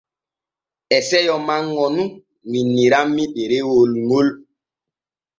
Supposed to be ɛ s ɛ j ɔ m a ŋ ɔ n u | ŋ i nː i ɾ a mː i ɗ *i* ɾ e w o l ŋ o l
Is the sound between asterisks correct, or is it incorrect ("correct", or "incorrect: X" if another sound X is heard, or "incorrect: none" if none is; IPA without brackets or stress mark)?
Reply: incorrect: e